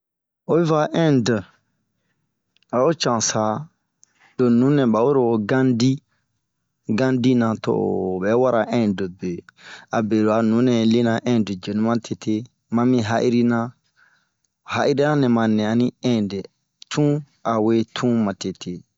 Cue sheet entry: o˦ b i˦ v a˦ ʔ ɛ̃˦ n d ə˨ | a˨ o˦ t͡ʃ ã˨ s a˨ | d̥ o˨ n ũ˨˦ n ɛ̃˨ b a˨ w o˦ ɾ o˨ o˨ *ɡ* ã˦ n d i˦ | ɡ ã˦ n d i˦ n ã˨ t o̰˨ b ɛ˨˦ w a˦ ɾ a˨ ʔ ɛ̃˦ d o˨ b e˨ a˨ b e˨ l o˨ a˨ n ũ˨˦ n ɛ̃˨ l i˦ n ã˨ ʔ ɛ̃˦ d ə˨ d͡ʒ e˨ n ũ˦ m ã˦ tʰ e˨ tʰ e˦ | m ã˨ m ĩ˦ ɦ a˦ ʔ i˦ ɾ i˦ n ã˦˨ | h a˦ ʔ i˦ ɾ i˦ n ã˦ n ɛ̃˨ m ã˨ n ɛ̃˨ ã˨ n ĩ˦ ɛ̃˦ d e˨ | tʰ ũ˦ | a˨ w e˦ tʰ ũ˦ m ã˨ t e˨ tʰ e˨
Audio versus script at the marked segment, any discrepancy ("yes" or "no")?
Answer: no